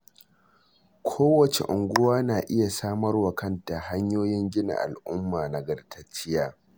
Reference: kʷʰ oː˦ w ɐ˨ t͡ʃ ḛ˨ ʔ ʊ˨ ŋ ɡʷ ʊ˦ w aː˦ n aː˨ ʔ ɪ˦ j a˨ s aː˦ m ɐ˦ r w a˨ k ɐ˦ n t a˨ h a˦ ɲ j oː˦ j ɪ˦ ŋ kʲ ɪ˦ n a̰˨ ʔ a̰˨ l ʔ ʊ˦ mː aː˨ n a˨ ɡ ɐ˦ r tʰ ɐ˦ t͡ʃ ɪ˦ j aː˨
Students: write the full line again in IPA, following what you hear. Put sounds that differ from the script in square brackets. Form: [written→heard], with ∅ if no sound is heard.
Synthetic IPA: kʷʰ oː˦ w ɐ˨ t͡ʃ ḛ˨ ʔ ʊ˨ ŋ ɡʷ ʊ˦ w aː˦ n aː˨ ʔ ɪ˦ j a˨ s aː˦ m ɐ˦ r w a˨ k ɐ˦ n t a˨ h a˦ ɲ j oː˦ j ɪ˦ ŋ [kʲ→ɡʲ] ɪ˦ n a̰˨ ʔ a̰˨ l ʔ ʊ˦ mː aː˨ n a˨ ɡ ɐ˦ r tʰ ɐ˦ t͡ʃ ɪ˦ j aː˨